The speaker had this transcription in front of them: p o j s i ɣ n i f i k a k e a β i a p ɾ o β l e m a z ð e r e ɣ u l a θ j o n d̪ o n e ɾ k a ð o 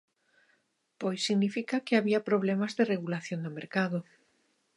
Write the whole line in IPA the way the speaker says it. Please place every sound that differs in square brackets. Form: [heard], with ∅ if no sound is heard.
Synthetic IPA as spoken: p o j s i ɣ n i f i k a k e a β i a p ɾ o β l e m a z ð e r e ɣ u l a θ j o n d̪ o [m] e ɾ k a ð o